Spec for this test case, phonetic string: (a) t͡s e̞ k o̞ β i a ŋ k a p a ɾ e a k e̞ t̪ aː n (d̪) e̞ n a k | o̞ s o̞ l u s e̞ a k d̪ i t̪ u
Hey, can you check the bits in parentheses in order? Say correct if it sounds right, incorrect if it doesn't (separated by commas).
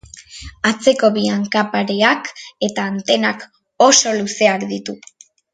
correct, incorrect